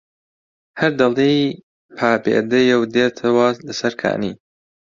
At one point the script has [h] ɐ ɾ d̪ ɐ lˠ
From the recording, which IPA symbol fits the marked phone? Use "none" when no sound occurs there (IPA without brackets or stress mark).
h